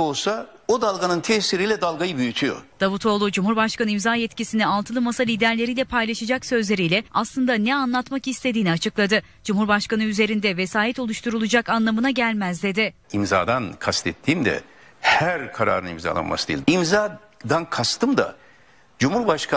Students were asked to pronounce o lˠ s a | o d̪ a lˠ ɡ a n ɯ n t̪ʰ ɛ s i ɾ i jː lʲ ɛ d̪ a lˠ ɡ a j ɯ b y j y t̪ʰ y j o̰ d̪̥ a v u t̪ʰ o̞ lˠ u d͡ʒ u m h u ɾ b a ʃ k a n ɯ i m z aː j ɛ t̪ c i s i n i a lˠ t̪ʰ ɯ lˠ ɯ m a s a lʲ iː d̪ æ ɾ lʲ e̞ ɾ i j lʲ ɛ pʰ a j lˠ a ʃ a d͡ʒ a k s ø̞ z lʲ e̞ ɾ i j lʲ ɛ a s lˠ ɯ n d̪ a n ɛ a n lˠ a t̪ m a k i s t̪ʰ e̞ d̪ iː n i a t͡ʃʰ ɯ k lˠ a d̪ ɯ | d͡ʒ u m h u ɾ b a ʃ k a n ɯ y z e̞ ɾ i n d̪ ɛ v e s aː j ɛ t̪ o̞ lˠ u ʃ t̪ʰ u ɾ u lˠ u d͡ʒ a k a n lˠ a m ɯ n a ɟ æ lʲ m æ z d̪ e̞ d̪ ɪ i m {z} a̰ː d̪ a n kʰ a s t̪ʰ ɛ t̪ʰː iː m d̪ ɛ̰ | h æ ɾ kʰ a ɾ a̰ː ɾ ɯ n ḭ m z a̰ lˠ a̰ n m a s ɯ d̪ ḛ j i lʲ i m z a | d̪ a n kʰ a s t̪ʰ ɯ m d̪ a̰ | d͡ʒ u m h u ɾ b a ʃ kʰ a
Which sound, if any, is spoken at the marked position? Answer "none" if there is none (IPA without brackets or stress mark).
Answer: z